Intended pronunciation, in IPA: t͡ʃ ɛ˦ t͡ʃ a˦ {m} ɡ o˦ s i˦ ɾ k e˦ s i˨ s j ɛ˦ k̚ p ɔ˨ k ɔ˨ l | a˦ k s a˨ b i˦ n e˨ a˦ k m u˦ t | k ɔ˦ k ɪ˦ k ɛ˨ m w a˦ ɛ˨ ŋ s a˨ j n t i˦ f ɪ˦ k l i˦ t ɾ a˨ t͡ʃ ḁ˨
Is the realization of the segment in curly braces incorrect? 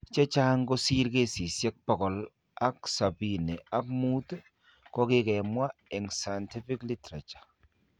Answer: yes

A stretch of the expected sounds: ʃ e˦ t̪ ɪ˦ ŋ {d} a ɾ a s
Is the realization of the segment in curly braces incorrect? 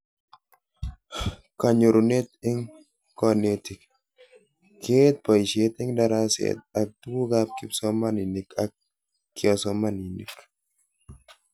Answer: no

